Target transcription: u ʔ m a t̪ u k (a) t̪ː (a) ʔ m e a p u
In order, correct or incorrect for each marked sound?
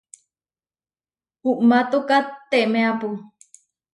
correct, incorrect

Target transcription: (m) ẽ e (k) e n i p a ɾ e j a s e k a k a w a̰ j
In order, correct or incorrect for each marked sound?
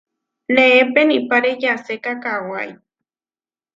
incorrect, incorrect

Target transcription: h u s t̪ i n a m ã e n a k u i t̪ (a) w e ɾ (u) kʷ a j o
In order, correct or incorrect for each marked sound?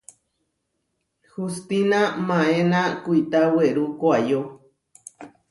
correct, correct

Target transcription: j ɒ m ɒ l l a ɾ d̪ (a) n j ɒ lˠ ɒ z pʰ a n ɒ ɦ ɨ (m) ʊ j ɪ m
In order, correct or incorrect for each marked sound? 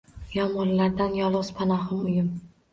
correct, correct

